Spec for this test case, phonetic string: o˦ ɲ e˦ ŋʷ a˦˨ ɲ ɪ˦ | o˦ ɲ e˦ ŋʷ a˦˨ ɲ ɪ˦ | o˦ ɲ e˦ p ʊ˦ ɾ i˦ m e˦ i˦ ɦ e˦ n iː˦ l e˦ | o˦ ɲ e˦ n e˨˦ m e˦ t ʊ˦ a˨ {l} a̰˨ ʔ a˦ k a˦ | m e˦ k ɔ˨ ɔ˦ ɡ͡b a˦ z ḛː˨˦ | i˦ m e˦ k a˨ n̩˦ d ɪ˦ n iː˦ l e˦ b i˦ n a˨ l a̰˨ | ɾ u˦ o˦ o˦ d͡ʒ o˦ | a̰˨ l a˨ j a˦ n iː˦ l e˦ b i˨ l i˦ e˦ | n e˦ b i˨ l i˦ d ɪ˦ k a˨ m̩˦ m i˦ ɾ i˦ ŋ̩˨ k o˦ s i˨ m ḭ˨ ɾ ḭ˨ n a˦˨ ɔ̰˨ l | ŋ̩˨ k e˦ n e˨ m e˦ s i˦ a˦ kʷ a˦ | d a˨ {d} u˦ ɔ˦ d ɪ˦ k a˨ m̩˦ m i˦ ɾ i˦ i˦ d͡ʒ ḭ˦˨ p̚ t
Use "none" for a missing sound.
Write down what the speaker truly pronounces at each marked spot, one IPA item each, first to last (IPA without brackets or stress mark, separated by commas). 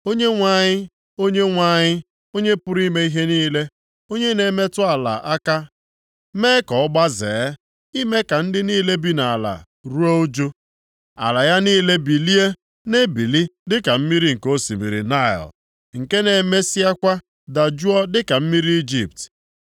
l, d͡ʒ